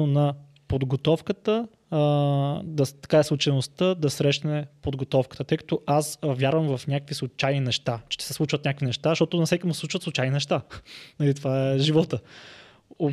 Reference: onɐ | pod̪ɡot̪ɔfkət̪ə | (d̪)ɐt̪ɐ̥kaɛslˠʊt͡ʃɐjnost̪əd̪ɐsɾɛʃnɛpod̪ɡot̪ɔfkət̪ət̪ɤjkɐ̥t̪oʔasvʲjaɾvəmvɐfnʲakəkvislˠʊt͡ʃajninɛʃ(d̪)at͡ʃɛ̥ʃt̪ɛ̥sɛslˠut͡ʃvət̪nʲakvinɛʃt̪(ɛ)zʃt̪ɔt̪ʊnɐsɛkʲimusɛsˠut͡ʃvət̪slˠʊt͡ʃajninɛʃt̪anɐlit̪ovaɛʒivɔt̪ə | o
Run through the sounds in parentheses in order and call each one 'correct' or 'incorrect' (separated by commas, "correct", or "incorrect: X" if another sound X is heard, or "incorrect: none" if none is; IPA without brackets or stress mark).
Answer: correct, incorrect: t̪, incorrect: a